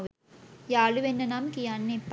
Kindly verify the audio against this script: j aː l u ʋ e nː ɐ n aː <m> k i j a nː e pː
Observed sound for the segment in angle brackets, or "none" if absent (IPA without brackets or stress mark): m